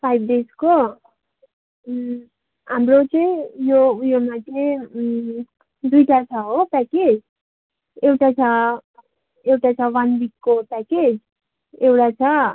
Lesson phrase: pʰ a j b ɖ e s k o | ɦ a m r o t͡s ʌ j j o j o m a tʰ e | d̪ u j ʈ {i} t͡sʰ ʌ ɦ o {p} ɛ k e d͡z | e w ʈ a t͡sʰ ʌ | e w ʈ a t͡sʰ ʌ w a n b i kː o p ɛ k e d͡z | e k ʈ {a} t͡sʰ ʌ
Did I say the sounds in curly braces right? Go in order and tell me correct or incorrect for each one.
incorrect, correct, correct

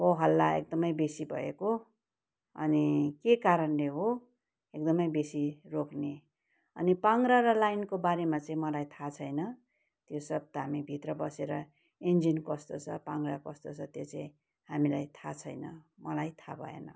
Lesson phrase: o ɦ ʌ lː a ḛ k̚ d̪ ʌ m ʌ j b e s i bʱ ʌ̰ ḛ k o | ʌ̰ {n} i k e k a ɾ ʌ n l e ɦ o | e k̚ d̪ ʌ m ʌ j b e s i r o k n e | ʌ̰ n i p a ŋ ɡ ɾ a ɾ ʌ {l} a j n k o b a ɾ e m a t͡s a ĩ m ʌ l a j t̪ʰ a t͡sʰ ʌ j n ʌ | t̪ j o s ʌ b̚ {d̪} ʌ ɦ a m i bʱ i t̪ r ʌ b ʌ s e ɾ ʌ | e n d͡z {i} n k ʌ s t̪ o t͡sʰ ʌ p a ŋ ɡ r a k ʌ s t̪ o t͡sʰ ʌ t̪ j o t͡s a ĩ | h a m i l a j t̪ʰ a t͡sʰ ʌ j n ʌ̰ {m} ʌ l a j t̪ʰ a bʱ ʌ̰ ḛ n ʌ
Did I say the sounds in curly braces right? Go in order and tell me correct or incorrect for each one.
correct, correct, incorrect, correct, correct

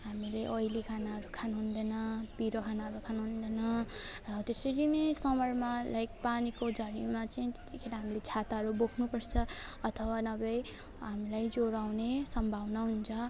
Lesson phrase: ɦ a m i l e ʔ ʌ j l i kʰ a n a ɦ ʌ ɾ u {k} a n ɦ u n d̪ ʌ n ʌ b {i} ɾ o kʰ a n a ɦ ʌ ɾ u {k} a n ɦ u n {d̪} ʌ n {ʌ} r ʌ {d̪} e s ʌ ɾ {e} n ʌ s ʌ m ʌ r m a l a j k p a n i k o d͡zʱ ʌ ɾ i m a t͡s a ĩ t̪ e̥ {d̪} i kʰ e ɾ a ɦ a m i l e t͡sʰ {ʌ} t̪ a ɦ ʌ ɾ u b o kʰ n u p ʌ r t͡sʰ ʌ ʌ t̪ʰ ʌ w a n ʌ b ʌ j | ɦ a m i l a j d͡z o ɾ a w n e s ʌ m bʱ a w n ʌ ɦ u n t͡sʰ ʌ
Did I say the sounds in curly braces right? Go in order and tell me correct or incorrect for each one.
incorrect, correct, incorrect, correct, correct, incorrect, incorrect, incorrect, incorrect

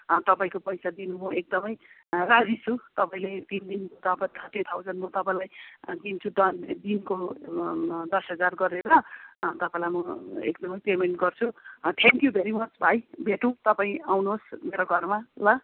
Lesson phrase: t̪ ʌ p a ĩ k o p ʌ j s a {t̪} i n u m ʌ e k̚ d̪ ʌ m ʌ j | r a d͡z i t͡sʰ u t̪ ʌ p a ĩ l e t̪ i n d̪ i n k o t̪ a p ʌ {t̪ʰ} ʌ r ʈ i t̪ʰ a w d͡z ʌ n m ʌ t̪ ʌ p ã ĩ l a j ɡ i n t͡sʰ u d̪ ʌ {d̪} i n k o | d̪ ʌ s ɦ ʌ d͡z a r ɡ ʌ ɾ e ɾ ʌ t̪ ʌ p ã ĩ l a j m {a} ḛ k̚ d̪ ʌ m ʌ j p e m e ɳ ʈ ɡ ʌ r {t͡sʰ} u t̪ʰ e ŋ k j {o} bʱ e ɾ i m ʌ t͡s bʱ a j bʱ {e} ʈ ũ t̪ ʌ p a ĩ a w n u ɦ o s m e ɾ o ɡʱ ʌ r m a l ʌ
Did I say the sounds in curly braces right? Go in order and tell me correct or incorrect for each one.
incorrect, correct, correct, incorrect, correct, incorrect, correct

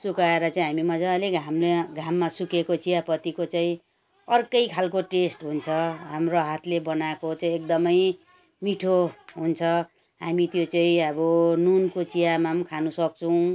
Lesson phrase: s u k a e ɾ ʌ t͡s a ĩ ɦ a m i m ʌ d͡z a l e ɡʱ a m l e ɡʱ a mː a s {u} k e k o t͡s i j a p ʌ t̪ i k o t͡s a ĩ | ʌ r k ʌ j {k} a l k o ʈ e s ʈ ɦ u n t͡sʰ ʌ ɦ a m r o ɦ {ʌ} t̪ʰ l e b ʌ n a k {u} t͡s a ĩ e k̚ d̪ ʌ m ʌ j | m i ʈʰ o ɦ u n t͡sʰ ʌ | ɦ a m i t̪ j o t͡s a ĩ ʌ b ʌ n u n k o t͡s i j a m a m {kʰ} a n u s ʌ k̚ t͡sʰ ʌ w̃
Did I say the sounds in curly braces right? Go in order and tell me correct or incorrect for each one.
correct, incorrect, incorrect, incorrect, correct

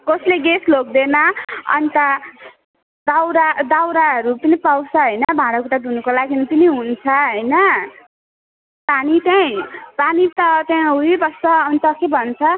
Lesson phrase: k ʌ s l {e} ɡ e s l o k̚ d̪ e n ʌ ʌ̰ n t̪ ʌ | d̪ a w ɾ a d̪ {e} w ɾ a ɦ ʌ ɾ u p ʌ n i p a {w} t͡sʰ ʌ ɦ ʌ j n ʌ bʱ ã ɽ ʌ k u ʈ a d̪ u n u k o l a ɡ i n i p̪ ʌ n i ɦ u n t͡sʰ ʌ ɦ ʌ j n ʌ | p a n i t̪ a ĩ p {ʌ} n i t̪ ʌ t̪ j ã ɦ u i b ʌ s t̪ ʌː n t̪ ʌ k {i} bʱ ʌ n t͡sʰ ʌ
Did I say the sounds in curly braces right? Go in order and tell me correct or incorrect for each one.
correct, incorrect, correct, incorrect, incorrect

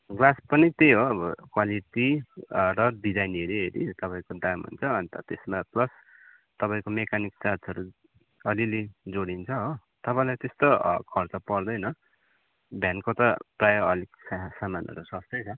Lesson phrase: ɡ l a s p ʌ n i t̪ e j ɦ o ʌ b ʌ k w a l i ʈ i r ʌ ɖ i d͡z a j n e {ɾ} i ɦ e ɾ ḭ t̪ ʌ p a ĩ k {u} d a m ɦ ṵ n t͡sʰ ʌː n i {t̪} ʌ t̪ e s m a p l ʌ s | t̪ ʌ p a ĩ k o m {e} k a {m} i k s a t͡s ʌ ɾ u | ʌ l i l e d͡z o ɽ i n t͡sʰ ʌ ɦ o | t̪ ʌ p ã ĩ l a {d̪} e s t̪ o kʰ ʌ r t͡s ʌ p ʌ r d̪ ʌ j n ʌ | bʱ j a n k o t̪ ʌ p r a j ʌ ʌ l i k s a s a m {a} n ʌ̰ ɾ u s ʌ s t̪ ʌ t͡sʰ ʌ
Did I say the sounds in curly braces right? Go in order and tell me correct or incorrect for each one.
correct, incorrect, correct, correct, incorrect, incorrect, correct

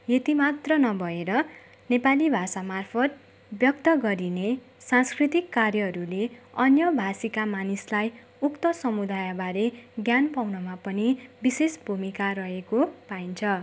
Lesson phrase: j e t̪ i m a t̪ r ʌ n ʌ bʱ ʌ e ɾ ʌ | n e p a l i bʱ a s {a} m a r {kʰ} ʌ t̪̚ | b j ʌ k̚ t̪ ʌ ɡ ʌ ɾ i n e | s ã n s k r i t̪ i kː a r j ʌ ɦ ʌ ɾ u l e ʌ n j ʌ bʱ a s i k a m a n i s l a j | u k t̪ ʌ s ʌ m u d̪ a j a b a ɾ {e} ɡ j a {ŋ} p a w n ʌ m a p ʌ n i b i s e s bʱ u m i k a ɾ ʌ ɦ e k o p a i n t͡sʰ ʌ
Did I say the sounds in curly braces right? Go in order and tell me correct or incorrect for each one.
correct, incorrect, correct, incorrect

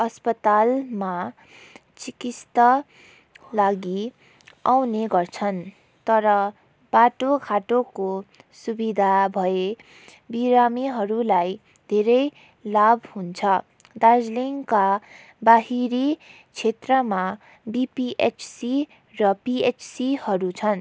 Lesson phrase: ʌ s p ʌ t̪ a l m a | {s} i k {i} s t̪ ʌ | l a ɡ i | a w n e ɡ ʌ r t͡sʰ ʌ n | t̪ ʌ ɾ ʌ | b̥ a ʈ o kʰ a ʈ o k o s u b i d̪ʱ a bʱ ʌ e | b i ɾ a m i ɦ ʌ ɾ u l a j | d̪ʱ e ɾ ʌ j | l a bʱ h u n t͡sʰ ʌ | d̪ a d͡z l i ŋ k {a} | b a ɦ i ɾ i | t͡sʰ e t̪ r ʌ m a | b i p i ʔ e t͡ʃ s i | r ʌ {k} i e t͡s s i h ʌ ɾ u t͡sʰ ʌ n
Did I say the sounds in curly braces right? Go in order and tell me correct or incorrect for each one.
incorrect, correct, correct, incorrect

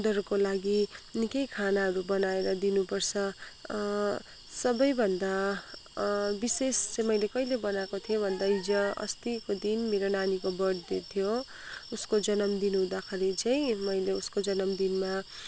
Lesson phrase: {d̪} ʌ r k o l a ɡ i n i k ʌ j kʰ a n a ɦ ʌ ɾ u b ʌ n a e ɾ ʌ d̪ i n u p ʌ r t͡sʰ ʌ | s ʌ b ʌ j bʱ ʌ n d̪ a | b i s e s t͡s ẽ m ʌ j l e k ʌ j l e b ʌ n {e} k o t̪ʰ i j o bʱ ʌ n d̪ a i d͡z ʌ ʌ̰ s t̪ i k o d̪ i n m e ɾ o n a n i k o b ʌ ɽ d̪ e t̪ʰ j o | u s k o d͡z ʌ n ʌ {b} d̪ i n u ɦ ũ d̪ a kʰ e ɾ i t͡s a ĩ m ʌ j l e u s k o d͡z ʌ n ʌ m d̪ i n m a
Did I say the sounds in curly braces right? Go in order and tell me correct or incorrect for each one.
correct, incorrect, incorrect

